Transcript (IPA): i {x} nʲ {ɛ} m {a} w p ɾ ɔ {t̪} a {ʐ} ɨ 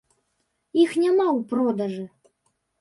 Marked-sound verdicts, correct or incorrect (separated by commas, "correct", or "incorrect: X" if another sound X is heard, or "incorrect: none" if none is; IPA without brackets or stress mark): correct, incorrect: a, correct, incorrect: d̪, correct